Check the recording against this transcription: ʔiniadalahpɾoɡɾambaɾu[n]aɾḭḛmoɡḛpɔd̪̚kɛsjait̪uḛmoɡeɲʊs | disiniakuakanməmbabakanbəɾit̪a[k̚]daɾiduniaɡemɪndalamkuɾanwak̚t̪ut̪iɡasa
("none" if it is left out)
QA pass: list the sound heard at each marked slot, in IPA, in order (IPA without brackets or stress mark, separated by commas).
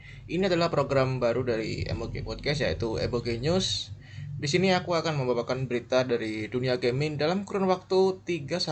d, none